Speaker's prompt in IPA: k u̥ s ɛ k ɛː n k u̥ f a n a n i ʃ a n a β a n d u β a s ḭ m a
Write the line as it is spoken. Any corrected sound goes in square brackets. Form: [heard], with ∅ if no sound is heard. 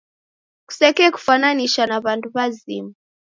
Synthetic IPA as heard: k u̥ s ɛ k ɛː [∅] k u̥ f a n a n i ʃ a n a β a n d u β a [z] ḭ m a